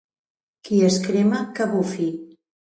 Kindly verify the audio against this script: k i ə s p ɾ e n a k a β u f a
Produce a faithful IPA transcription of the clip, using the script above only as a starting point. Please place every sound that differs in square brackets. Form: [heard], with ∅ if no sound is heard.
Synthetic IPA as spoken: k i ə s [k] ɾ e [m] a k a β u f [i]